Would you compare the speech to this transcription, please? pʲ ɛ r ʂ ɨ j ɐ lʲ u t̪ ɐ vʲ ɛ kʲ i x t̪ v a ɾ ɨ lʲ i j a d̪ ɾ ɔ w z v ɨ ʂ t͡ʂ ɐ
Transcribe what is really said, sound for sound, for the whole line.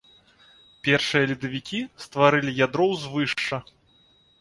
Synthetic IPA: pʲ ɛ r ʂ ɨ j ɐ lʲ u d̪ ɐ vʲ i kʲ i s t̪ v a ɾ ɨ lʲ i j a d̪ ɾ ɔ w z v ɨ ʂ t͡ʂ ɐ